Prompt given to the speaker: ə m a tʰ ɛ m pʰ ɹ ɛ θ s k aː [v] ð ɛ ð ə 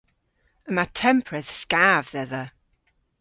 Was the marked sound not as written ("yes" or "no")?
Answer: no